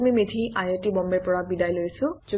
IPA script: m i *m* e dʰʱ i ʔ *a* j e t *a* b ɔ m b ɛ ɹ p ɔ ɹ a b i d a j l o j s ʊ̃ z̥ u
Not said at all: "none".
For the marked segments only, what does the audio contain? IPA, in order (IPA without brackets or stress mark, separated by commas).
m, a, i